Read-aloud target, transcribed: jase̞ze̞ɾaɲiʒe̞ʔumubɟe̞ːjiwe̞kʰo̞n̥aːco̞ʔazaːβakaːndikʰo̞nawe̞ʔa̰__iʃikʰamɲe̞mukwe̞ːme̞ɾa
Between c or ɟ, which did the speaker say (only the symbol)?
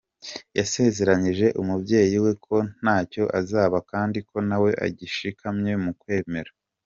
ɟ